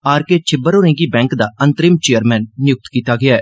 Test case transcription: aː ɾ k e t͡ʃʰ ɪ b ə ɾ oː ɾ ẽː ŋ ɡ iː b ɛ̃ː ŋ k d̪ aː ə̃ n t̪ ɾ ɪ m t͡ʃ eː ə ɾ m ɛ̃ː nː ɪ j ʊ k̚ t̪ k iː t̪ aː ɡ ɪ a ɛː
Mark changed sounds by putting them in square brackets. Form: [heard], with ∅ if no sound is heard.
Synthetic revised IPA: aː ɾ k e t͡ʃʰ ɪ b ə ɾ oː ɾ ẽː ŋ ɡ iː b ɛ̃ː ŋ k d̪ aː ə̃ n t̪ ɾ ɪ m t͡ʃ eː ə ɾ m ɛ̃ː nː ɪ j ʊ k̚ t̪ k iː t̪ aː ɡ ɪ a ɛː